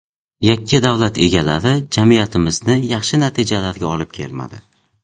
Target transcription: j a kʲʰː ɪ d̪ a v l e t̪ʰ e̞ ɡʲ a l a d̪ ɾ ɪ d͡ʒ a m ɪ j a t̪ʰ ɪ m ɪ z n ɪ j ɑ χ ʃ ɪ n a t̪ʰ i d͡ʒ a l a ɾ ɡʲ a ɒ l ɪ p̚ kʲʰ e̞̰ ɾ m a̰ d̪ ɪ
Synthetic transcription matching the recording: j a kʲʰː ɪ d̪ a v l a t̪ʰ e̞ ɡʲ a l a ɾ ɪ d͡ʒ a m i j a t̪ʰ ɪ m ɪ z n ɪ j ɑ χ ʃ ɪ n a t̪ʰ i d͡ʒ a l a ɾ ɡʲ a ɒ l ɪ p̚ kʲʰ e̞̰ l m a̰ d̪ ɪ

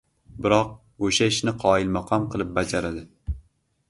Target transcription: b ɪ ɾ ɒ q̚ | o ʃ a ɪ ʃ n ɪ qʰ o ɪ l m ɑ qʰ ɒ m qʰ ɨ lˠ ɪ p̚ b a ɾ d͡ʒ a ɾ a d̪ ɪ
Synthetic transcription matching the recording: b ɪ ɾ ɒ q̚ | o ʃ a ɪ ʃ n ɪ qʰ ɒ ɪ l m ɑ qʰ ɒ m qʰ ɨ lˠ ɪ p̚ b a d͡ʒ a ɾ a d̪ ɪ

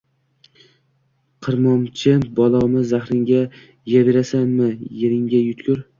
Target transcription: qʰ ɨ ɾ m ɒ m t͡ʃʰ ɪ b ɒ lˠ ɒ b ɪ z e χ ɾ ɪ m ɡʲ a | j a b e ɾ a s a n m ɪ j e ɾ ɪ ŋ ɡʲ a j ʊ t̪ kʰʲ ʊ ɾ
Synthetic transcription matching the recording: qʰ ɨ ɾ m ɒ m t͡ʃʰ ɪ b ɒ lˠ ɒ m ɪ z a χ ɾ ɪ ŋ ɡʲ a | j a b e ɾ a s a n m ɪ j e ɾ ɪ ŋ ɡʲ a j ʊ t̪ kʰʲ ʊ ɾ

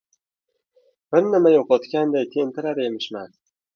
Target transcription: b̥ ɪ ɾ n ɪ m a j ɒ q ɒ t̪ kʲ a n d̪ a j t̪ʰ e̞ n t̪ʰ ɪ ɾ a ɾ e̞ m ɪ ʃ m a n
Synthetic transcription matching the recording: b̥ ɪ ɾ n ɪ m a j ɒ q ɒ t̪ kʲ a n d̪ a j t̪ʰ e̞ n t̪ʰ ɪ ɾ a ɾ e̞ m ɪ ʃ m a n

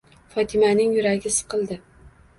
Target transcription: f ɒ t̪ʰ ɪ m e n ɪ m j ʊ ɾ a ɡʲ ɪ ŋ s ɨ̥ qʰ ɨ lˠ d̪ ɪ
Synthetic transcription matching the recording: f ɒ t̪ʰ ɪ m a n ɪ ŋ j ʊ ɾ a ɡʲ ɪ s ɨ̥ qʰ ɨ lˠ d̪ ɪ

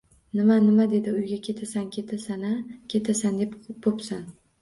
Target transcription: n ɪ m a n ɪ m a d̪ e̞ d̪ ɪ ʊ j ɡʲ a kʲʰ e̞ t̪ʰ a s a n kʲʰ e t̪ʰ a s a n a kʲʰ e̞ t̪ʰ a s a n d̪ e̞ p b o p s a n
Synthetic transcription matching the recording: n ɪ m a n ɪ m a d̪ e̞ d̪ ɪ ʊ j ɡʲ a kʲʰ e̞ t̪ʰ a s a n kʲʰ e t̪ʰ a s a n a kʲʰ e̞ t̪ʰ a s a n d̪ e̞ p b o p s a n

